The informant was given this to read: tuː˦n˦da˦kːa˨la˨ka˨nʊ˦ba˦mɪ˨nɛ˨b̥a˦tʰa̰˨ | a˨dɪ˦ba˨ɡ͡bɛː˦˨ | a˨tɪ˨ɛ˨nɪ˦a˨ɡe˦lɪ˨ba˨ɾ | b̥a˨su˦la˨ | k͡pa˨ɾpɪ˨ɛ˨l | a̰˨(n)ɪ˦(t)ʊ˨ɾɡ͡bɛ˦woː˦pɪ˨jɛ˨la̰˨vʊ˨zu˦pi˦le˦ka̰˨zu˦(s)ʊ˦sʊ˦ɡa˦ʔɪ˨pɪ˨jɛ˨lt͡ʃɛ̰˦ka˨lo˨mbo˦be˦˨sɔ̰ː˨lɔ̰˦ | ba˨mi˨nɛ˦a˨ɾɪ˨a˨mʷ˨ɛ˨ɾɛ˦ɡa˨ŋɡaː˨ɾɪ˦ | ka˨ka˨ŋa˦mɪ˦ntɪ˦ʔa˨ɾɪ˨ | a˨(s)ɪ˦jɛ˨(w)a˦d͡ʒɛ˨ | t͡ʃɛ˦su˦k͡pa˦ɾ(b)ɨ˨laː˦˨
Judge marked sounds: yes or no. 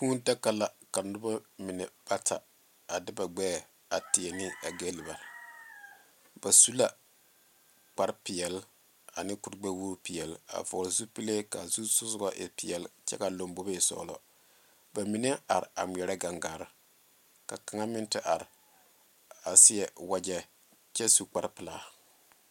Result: yes, no, yes, yes, yes, no

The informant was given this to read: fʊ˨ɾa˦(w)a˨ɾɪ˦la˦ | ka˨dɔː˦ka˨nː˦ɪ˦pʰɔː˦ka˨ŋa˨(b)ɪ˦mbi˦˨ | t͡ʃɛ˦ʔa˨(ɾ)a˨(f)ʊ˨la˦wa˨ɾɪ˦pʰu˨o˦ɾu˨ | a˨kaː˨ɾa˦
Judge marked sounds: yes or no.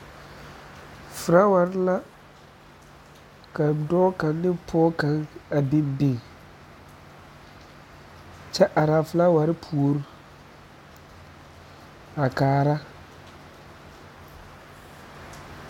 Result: yes, yes, yes, yes

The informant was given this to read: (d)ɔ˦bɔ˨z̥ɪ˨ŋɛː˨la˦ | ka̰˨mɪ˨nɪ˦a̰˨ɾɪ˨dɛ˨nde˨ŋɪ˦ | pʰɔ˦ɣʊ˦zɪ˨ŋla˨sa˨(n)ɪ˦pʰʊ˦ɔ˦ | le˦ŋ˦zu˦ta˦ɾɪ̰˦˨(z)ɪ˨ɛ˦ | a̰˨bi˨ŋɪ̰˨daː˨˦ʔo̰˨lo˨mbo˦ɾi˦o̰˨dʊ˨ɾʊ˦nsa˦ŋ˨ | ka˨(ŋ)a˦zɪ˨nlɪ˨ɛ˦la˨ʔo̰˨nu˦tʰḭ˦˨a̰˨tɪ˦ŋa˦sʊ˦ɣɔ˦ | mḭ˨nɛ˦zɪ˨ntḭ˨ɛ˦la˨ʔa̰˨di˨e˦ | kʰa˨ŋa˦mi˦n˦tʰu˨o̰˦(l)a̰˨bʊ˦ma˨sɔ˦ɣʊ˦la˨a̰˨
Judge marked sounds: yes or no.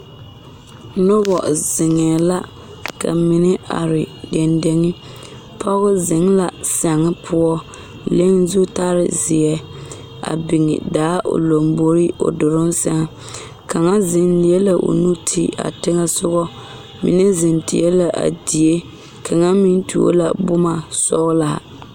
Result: no, no, yes, yes, yes

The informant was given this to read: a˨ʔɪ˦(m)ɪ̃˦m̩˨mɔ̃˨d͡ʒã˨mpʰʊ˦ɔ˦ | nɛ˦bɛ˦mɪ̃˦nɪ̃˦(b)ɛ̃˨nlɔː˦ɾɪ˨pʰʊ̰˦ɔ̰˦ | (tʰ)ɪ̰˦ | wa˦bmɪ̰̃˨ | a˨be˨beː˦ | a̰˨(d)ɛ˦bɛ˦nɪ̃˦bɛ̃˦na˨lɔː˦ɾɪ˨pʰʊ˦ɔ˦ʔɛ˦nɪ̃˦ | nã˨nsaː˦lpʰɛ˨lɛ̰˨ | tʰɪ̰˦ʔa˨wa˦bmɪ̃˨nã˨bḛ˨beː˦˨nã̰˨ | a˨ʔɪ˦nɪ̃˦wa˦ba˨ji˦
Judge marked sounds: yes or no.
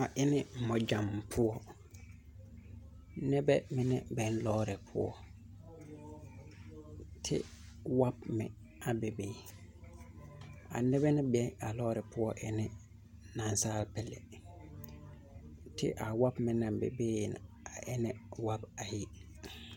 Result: no, yes, yes, no

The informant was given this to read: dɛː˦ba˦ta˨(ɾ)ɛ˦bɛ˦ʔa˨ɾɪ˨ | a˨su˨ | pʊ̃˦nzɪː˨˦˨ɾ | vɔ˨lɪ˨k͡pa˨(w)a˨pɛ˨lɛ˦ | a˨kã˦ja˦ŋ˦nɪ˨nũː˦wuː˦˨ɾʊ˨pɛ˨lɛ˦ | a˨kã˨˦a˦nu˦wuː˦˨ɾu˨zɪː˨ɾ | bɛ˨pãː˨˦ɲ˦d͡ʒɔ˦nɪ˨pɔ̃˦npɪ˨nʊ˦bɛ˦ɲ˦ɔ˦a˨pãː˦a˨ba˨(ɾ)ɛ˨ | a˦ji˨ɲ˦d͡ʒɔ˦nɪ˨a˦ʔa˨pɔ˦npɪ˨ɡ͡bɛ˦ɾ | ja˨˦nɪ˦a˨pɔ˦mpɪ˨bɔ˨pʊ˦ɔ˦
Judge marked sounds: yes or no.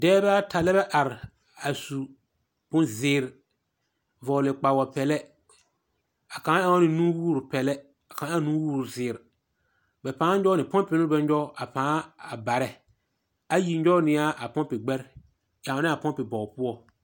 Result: no, yes, yes

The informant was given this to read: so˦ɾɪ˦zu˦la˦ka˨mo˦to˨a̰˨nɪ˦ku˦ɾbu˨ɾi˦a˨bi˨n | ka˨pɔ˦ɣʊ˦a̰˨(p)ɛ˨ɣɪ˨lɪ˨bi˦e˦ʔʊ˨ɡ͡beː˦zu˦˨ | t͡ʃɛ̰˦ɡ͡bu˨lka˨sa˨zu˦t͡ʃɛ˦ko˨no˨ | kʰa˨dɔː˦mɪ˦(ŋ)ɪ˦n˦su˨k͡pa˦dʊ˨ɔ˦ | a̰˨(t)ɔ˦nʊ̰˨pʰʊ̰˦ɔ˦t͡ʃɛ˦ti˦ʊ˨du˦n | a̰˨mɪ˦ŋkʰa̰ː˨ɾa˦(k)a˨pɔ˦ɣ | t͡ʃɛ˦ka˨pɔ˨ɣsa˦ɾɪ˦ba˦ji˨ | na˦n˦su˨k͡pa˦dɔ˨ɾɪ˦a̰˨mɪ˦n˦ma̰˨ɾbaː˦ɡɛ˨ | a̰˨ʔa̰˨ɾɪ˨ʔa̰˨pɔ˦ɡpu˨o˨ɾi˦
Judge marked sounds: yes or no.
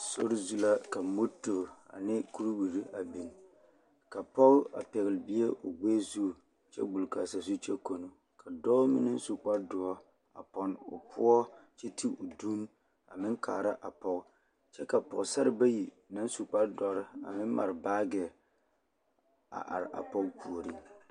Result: yes, no, no, no

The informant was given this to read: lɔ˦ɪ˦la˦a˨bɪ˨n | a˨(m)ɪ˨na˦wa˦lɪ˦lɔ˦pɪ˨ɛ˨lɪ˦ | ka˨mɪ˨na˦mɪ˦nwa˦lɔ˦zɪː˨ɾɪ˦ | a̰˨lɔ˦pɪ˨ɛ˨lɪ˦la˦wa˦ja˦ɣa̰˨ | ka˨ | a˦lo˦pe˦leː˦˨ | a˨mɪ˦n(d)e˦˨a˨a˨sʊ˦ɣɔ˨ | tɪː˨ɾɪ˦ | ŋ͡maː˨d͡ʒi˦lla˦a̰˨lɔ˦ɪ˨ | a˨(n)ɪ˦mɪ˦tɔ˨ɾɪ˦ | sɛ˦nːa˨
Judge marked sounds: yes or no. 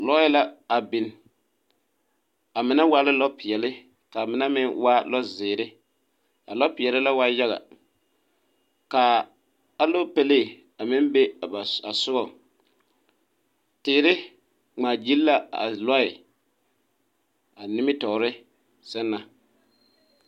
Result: yes, no, yes

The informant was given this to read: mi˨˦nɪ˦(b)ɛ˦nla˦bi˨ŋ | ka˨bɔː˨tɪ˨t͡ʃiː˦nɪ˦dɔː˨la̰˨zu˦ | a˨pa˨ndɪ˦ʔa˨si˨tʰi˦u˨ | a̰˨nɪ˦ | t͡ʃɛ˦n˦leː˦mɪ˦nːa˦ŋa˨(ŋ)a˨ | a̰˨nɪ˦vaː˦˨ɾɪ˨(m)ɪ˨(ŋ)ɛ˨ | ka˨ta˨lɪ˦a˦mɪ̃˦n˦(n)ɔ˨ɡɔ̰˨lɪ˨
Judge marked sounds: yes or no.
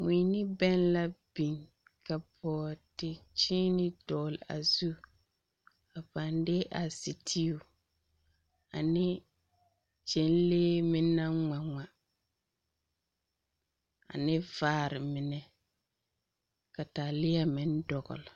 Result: yes, yes, yes, no, no

